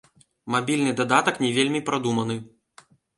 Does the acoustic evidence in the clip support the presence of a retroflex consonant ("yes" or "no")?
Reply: no